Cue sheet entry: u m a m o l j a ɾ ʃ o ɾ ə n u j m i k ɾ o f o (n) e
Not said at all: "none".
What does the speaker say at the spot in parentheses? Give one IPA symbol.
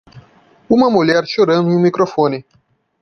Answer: n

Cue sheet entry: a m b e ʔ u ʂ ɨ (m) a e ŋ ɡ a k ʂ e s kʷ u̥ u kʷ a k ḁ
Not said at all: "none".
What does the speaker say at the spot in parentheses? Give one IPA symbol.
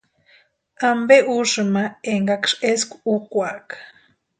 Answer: m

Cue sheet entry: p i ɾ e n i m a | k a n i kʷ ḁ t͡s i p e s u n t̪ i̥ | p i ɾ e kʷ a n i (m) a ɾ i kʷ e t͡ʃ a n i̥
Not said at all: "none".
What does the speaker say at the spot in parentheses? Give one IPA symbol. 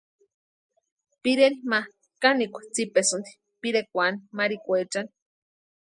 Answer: m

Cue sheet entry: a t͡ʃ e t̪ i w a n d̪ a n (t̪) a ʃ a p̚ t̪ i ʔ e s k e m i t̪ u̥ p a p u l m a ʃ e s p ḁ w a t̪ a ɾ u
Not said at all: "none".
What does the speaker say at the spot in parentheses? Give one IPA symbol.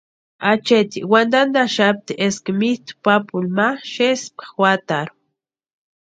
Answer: d̪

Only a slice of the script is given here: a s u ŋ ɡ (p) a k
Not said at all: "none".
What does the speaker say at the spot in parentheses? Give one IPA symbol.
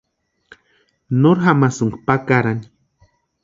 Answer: p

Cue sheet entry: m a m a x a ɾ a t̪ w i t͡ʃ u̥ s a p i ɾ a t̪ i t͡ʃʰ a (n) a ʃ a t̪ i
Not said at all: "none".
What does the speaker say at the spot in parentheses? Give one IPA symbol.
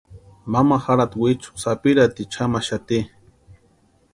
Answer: m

